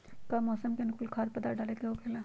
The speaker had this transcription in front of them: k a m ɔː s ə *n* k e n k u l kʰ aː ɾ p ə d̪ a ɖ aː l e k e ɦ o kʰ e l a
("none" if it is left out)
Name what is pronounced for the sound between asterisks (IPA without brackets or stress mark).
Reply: m